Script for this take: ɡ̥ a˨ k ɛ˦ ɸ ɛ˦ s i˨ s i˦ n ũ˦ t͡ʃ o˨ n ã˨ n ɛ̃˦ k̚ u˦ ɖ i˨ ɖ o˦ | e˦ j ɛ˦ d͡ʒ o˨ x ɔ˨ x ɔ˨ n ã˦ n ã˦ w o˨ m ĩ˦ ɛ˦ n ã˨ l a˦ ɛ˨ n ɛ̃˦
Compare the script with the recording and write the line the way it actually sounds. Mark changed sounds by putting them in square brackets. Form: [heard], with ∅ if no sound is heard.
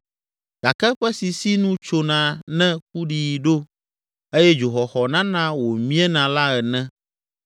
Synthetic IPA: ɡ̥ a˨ k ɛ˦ ɸ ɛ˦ s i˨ s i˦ n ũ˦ t͡ʃ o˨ n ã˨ n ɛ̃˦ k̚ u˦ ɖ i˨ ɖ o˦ | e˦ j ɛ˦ d͡ʒ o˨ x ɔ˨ x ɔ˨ n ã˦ n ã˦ w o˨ m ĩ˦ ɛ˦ n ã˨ l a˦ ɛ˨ n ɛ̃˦